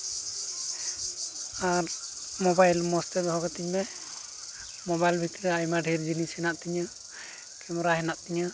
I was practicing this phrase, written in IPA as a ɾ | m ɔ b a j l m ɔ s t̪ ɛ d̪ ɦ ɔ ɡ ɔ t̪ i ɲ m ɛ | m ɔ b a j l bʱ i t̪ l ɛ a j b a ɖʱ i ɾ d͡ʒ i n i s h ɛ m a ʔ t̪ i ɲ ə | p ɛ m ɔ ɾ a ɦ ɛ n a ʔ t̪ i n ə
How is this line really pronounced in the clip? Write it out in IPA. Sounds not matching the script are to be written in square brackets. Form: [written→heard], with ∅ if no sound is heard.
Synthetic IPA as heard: a ɾ | m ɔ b a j l m ɔ s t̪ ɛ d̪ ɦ ɔ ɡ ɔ t̪ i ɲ m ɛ | m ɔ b a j l bʱ i t̪ [l→ɾ] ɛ a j [b→m] a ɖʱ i ɾ d͡ʒ i n i s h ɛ [m→n] a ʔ t̪ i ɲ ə | [p→k] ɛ m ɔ ɾ a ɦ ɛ n a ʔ t̪ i [n→ɲ] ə